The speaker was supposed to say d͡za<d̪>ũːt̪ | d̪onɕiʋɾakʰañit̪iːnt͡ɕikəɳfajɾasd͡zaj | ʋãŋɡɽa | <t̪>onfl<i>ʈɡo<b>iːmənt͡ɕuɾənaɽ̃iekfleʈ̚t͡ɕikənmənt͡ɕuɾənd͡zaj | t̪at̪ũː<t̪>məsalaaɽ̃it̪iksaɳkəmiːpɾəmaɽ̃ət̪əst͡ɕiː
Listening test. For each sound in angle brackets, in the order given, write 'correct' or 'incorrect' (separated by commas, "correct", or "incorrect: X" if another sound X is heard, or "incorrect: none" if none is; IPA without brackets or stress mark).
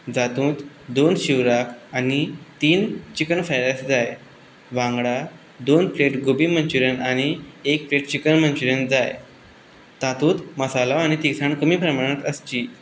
incorrect: t̪, incorrect: d̪, incorrect: e, correct, correct